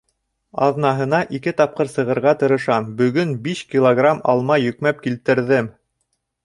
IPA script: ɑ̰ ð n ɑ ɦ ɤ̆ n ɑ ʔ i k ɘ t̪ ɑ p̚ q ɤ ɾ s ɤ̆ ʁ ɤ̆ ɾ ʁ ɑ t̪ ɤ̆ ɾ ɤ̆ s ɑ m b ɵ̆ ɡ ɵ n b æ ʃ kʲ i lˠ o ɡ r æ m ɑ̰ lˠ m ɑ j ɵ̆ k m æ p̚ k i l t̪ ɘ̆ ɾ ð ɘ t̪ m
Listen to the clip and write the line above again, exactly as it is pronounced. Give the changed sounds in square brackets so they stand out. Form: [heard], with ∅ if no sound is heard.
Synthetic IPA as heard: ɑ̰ ð n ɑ ɦ ɤ̆ n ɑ ʔ i k ɘ t̪ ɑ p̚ q ɤ ɾ s ɤ̆ ʁ ɤ̆ ɾ ʁ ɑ t̪ ɤ̆ ɾ ɤ̆ [ʃ] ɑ m b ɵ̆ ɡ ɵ n b [i] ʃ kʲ i lˠ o ɡ r [a] m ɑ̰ lˠ m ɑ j ɵ̆ k m æ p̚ k i l t̪ ɘ̆ ɾ ð ɘ [∅] m